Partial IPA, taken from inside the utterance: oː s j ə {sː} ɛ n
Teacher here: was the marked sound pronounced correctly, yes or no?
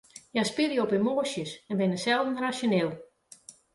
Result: no